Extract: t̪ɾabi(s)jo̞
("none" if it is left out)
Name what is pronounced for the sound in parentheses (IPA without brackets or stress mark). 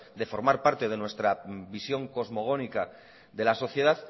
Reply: s